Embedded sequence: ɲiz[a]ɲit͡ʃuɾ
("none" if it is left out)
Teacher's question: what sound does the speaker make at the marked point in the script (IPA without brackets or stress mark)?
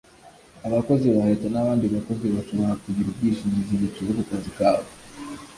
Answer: i